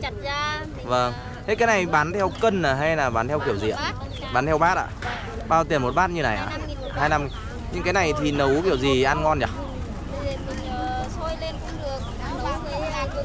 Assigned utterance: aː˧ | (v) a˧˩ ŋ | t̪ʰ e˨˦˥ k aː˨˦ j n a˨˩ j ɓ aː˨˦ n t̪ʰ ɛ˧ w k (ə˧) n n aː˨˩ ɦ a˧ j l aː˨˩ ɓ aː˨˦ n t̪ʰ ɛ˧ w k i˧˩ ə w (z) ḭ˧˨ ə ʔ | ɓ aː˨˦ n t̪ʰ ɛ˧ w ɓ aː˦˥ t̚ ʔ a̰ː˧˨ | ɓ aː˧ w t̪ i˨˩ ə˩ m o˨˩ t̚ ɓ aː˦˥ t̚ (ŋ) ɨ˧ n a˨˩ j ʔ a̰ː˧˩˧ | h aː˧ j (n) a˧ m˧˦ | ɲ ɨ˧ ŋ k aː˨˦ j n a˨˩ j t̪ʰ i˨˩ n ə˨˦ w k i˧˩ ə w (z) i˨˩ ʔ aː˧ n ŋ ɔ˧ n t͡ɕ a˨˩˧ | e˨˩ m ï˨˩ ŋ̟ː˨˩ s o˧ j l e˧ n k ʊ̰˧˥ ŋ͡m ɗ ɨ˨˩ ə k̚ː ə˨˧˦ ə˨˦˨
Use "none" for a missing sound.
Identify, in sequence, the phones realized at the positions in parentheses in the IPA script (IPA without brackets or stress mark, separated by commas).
v, ə˧, z, ɲ, n, z